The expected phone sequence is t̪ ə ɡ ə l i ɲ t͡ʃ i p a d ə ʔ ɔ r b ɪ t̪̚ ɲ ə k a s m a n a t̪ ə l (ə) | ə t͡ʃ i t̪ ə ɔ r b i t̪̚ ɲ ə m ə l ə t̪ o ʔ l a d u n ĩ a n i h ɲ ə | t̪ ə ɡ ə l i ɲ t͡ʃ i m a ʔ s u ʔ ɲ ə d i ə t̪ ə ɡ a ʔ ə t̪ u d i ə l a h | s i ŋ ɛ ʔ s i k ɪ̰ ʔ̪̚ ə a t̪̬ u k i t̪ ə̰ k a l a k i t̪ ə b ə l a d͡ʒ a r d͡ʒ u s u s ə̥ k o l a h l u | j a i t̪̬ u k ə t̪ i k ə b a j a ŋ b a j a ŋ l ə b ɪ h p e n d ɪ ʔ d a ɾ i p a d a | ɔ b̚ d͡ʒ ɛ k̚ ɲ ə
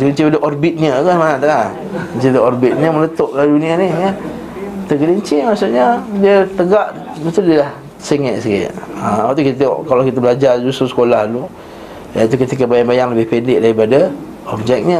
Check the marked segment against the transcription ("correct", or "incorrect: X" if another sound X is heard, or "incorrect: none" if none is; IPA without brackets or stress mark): incorrect: a